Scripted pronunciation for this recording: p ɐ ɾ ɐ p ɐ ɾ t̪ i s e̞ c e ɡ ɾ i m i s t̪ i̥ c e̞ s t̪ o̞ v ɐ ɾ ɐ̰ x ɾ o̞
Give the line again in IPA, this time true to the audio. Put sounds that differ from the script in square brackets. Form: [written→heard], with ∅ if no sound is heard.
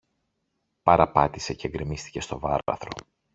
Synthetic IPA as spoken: p ɐ ɾ ɐ p ɐ [ɾ→∅] t̪ i s e̞ c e ɡ ɾ i m i s t̪ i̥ c e̞ s t̪ o̞ v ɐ ɾ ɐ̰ [x→θ] ɾ o̞